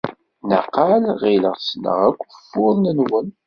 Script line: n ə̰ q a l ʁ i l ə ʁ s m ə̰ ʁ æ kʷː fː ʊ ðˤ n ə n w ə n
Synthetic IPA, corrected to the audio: n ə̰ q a l ʁ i l ə ʁ s n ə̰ ʁ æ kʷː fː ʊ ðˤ n ə n w ə n